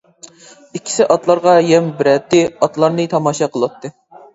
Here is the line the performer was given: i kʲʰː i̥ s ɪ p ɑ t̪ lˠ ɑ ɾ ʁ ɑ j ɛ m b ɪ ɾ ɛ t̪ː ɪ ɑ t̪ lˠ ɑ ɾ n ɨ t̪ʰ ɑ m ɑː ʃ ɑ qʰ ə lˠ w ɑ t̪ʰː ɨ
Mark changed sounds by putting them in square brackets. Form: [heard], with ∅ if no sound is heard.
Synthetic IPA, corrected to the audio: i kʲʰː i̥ s ɪ [ʔ] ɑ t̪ lˠ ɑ ɾ ʁ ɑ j ɛ m b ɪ ɾ ɛ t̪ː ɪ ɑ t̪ lˠ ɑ ɾ n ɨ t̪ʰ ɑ m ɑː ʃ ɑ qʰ ə lˠ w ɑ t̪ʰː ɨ